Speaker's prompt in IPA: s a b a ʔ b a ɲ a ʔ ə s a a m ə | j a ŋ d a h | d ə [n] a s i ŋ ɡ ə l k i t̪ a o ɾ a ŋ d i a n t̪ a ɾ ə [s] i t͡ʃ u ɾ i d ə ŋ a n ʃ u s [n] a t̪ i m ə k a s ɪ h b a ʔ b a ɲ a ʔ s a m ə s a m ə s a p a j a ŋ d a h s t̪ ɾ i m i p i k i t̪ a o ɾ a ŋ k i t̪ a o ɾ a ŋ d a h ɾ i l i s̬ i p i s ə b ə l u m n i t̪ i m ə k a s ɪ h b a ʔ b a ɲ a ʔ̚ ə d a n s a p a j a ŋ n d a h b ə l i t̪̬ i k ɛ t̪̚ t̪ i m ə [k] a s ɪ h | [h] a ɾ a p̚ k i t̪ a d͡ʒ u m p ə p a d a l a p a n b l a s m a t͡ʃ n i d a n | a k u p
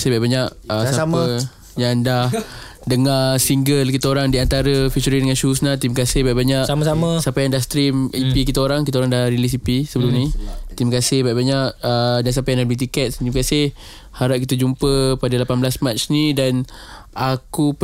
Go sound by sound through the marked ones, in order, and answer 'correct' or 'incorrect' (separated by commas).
incorrect, incorrect, correct, correct, correct